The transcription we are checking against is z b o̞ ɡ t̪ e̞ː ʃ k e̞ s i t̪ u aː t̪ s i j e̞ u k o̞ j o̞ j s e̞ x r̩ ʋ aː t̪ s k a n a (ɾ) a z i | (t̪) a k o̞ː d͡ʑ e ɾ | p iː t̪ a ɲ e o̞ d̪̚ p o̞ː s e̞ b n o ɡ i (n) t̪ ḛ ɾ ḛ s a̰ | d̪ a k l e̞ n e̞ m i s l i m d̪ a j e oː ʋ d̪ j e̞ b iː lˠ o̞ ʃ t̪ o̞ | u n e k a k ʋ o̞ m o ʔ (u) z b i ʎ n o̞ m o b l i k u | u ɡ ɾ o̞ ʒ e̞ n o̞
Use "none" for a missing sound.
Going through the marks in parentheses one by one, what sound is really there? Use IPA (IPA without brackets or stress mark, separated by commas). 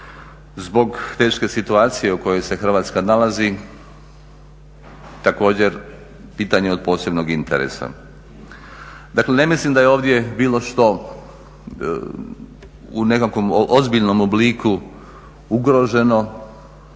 l, t̪, n, o